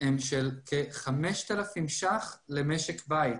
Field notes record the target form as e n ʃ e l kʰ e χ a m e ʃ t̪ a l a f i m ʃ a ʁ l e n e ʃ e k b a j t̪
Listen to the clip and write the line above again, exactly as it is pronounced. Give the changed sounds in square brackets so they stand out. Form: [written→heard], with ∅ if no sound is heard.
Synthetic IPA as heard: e [n→m] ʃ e l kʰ e χ a m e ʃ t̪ a l a f i m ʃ a [ʁ→χ] l e [n→m] e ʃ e k b a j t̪